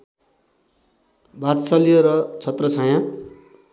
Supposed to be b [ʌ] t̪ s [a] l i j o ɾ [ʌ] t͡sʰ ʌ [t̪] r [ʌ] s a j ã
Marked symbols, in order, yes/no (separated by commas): no, no, yes, yes, yes